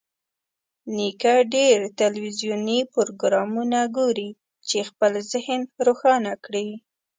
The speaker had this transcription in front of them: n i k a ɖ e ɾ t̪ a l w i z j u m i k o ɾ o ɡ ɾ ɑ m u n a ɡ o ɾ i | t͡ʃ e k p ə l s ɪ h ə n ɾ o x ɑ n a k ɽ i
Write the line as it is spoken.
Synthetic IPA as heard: n i k a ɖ e ɾ t̪ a l w i z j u n i p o ɾ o ɡ ɾ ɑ m u n a ɡ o ɾ i | t͡ʃ e x p ə l z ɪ h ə n ɾ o x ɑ n a k ɽ i